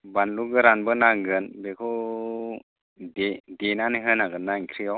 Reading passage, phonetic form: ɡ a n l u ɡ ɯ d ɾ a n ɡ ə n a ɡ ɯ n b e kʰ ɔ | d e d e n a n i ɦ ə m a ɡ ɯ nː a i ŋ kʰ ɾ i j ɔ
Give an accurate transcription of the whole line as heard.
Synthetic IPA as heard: b a n l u ɡ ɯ ɾ a n b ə n a ɡ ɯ n b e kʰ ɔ | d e d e n a n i ɦ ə n a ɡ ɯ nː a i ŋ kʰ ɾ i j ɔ